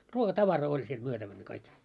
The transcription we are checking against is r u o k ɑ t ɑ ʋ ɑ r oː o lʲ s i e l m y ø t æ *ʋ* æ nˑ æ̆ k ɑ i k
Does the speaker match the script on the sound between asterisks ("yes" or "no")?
yes